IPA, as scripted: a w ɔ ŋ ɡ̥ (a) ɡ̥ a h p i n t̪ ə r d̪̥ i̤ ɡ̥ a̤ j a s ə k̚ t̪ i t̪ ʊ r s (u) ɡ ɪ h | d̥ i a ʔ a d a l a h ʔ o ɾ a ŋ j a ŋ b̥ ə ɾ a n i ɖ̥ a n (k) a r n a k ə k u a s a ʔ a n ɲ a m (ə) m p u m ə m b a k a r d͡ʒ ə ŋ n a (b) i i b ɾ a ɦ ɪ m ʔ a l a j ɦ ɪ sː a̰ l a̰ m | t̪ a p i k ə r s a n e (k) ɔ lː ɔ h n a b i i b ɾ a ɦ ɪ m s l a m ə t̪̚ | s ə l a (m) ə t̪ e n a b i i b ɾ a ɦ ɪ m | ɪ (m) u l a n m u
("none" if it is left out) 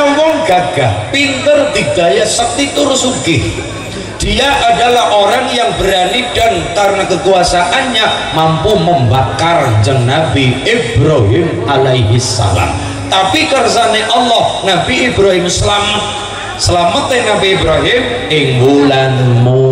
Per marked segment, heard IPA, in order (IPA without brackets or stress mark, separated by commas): a, u, k, a, b, ʔ, m, ŋ